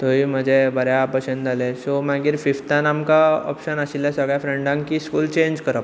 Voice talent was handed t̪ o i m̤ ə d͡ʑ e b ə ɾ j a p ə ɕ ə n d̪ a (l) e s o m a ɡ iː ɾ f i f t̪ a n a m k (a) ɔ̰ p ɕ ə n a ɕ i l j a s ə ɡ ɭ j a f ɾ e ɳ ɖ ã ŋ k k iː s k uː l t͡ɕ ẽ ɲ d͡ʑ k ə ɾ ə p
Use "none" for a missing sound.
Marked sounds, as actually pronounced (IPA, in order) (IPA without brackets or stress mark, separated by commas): l, a